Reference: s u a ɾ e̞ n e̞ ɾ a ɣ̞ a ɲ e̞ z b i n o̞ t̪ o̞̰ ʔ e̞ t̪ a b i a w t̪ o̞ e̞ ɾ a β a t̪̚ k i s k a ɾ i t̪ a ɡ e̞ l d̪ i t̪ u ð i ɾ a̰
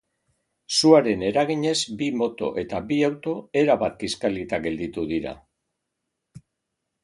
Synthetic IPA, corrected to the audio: s u a ɾ e̞ n e̞ ɾ a ɣ̞ i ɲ e̞ z b i m o̞ t̪ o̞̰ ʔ e̞ t̪ a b i a w t̪ o̞ e̞ ɾ a β a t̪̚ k i s k a l i t̪ a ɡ e̞ l d̪ i t̪ u ð i ɾ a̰